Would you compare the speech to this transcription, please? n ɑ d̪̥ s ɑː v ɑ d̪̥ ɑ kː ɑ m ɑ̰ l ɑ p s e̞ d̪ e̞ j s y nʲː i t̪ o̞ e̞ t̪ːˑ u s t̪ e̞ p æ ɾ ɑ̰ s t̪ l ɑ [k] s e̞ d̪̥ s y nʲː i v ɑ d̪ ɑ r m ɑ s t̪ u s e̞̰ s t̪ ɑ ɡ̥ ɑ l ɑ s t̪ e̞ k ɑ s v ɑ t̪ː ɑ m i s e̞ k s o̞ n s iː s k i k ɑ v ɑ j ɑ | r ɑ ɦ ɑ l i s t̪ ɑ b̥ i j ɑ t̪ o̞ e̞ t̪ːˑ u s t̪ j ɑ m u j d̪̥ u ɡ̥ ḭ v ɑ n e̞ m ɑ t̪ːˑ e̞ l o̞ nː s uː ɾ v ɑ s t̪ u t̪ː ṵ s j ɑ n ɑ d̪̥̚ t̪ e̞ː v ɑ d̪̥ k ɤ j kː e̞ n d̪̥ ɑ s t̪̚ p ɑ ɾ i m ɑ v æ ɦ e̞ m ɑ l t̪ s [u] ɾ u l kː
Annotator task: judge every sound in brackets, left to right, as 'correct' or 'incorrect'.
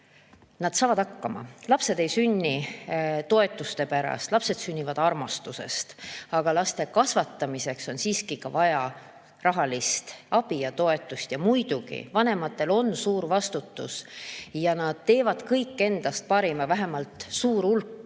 incorrect, incorrect

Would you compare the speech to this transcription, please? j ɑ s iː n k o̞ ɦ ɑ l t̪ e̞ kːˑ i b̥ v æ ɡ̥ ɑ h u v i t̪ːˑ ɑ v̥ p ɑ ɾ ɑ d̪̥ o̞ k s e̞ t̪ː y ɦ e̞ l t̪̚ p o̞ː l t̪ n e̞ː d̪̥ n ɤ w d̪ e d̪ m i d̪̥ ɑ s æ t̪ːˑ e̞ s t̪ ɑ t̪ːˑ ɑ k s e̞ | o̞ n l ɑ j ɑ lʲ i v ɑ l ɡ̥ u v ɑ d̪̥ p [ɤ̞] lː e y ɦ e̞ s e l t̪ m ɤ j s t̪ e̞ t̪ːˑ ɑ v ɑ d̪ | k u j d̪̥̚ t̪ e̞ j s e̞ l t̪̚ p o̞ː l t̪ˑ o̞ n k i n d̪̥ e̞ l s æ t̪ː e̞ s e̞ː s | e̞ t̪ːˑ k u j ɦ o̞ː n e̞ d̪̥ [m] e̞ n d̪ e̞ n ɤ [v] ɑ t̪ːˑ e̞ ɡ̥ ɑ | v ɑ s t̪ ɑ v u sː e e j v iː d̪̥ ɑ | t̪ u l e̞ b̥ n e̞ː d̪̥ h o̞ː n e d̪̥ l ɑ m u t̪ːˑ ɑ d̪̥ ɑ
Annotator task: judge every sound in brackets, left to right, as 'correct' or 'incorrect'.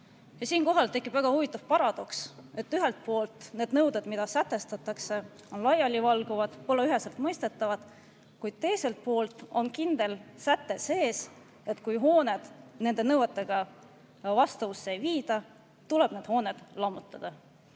incorrect, incorrect, incorrect

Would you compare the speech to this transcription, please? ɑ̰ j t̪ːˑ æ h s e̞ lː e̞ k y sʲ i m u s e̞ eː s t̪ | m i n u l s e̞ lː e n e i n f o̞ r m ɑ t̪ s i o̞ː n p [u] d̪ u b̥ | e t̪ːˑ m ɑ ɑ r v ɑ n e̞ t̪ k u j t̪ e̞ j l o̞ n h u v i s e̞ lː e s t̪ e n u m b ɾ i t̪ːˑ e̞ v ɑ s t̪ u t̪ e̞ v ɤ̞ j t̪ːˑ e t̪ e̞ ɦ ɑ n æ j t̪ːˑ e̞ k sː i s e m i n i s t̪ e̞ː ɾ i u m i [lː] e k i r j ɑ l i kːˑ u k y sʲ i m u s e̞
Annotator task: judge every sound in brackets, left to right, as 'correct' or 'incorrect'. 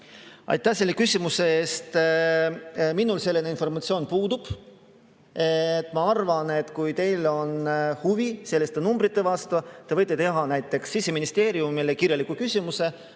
incorrect, incorrect

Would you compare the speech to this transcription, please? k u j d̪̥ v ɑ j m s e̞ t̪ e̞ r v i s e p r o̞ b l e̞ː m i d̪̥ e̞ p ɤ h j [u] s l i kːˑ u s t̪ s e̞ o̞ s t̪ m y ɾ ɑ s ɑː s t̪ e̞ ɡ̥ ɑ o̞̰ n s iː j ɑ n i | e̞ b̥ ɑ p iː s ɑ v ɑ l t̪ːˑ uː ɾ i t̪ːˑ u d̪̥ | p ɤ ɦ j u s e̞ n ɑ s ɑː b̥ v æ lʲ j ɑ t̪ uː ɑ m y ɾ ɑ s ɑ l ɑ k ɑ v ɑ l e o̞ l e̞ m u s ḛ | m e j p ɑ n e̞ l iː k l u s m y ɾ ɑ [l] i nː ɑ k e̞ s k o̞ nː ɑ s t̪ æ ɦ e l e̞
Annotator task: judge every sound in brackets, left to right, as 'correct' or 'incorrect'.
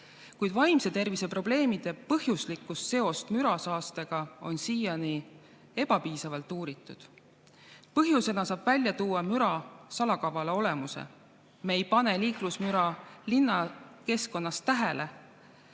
correct, correct

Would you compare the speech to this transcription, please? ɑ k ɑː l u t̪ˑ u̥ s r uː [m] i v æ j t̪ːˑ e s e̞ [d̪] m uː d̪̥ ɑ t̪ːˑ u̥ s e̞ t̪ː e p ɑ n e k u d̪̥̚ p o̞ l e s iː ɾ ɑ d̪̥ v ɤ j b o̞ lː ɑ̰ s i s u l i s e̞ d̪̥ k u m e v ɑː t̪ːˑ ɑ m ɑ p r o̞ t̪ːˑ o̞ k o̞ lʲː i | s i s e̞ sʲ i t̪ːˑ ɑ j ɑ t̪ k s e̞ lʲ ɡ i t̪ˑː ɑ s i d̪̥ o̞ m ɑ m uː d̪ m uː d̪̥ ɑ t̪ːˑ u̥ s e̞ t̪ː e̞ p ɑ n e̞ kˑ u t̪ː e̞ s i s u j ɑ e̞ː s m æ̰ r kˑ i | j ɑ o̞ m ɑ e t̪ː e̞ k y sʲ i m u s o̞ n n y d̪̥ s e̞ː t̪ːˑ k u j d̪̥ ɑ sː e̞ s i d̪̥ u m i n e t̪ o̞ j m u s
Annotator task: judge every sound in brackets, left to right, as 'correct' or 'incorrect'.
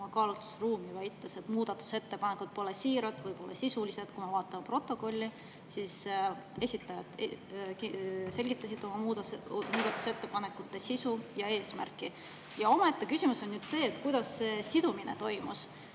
correct, incorrect

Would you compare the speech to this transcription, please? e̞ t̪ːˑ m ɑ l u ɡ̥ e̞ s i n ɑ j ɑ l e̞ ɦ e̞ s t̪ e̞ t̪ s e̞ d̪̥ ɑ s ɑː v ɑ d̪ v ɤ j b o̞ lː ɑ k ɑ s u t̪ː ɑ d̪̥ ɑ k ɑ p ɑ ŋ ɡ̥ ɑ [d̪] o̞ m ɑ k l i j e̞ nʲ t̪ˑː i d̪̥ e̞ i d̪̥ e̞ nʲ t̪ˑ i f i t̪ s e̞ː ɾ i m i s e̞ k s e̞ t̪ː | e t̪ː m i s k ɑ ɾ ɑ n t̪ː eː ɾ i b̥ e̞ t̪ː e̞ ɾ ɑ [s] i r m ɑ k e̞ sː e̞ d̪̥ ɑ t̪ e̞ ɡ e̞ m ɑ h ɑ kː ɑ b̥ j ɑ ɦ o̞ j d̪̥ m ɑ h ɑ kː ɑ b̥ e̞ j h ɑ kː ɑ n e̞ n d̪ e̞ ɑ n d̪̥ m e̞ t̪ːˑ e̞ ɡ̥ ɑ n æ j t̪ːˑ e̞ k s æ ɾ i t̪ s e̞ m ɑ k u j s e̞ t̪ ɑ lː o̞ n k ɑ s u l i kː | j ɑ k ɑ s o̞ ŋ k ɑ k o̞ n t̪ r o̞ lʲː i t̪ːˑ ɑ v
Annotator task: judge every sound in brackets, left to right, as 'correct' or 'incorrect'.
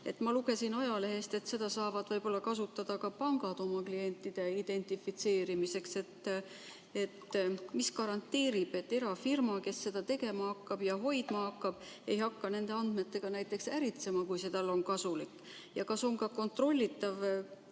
correct, incorrect

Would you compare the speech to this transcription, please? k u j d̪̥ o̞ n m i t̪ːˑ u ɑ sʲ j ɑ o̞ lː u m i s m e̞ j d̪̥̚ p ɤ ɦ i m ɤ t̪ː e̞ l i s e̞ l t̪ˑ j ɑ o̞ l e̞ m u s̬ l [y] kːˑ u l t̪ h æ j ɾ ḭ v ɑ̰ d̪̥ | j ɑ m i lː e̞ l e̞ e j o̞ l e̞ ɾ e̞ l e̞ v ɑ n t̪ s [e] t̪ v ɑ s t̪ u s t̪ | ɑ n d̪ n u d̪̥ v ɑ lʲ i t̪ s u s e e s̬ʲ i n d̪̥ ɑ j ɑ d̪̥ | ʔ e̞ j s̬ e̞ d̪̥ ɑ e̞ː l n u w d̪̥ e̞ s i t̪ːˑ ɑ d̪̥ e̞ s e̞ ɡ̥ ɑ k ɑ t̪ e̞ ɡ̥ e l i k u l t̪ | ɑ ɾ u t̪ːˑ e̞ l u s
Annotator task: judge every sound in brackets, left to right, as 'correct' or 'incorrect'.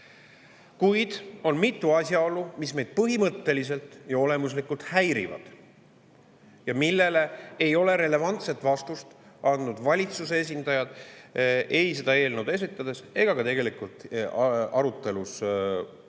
incorrect, correct

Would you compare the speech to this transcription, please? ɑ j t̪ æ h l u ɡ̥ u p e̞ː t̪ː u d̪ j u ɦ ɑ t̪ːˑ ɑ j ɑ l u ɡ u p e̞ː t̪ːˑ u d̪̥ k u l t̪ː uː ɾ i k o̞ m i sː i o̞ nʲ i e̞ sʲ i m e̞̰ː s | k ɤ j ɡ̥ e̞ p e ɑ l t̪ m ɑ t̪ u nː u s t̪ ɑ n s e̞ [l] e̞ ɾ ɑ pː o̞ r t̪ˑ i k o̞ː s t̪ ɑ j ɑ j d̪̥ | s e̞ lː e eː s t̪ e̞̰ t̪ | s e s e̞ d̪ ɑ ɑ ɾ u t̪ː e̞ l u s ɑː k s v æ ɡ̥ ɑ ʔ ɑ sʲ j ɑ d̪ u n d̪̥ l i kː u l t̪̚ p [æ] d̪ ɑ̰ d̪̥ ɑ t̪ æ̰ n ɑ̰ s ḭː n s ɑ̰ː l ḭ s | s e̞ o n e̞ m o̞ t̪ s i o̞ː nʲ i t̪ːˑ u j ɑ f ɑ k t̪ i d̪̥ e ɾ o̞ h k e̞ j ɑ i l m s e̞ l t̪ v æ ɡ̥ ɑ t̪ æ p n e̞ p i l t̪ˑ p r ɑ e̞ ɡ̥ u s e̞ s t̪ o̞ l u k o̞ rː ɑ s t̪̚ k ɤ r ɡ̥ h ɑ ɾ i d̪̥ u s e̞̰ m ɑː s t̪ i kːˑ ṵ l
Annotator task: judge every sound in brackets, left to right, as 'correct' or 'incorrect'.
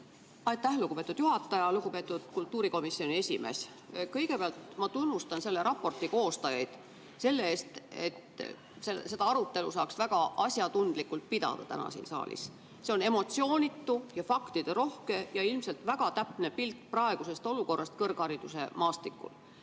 incorrect, incorrect

